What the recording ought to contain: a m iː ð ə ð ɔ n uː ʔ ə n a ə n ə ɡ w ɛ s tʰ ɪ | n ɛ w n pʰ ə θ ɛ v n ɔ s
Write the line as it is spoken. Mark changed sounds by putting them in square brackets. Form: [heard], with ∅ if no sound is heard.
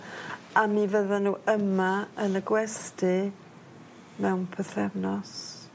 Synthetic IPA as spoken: a m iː [v] ə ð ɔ n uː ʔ ə [m] a ə n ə ɡ w ɛ s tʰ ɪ | [m] ɛ w n pʰ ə θ ɛ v n ɔ s